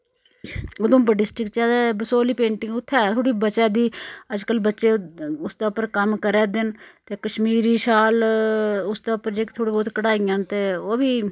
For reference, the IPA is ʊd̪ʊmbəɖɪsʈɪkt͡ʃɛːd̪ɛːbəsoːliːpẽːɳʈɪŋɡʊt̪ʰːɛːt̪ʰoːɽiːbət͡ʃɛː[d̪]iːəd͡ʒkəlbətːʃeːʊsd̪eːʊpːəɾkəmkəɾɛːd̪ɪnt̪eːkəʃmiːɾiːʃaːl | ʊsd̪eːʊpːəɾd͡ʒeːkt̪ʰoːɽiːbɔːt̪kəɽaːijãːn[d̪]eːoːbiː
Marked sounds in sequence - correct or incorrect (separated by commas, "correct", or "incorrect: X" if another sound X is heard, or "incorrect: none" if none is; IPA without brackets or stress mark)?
correct, incorrect: t̪